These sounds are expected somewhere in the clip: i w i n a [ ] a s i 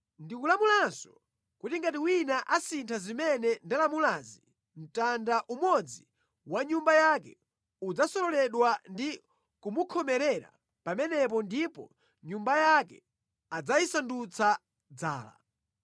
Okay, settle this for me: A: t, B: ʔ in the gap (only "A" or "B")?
B